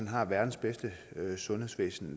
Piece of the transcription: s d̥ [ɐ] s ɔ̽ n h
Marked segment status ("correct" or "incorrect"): incorrect